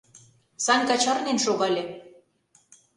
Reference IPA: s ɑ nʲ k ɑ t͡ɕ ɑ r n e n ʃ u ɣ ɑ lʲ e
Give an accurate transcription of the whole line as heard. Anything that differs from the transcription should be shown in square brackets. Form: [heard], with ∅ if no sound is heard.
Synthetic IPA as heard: s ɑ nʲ k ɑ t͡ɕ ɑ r n e n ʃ [o] ɣ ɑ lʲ e